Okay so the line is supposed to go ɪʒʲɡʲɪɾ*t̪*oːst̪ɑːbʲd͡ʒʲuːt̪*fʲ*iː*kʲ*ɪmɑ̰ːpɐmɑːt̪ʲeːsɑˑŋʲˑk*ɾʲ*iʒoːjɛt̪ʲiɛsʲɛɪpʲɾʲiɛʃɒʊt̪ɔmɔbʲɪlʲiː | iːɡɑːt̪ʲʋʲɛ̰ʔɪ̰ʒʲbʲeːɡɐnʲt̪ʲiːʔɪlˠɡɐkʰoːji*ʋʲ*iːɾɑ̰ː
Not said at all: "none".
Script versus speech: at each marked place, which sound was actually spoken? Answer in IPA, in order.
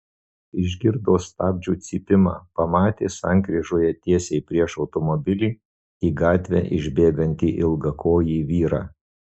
d̪, sʲ, pʲ, ɾʲ, ʋʲ

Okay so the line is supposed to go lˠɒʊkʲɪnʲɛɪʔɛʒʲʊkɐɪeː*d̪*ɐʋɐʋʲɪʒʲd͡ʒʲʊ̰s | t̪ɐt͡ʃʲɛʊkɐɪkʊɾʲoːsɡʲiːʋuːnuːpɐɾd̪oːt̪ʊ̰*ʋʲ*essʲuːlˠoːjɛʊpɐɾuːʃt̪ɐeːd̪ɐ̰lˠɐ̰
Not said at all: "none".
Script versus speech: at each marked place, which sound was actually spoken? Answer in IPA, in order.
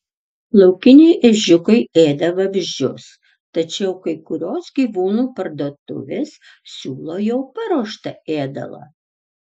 d̪, ʋʲ

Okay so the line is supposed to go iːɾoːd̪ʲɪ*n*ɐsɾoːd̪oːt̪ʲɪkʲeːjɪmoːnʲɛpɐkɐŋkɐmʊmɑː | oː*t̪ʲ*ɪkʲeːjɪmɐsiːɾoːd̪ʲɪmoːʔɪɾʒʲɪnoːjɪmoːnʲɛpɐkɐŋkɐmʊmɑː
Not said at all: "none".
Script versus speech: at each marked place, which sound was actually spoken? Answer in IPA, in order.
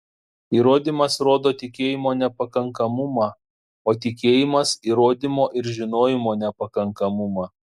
m, t̪ʲ

